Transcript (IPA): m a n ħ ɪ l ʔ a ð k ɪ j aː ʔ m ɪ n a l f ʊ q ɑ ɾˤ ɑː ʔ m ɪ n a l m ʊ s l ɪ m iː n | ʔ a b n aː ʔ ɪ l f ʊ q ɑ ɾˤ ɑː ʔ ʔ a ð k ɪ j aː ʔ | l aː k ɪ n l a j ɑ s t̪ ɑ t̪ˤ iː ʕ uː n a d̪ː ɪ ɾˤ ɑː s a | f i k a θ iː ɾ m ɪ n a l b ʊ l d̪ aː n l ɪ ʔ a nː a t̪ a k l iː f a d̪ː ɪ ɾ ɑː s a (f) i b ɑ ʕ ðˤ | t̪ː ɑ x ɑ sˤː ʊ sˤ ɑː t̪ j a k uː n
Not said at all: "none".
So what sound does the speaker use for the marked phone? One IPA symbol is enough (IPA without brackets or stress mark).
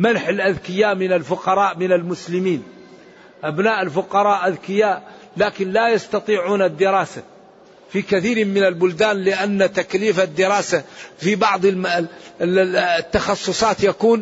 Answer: f